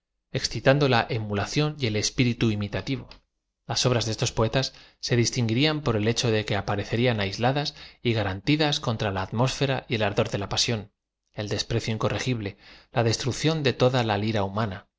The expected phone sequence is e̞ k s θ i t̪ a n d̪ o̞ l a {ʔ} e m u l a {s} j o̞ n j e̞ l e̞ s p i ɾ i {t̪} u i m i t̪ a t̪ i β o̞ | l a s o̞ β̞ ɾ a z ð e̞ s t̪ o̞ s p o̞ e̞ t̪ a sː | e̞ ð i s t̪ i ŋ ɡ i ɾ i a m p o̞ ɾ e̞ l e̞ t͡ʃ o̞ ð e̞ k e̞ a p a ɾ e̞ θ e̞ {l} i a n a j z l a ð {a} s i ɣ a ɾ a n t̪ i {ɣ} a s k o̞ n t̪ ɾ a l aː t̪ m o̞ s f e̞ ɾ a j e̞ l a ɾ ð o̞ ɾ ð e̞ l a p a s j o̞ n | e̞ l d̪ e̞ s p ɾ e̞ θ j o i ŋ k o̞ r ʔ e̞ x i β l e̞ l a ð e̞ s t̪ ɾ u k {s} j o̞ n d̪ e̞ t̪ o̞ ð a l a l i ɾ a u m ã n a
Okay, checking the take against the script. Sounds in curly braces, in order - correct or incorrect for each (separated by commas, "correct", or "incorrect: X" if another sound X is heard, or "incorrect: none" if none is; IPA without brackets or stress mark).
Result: correct, incorrect: θ, correct, incorrect: ɾ, correct, incorrect: ð, incorrect: θ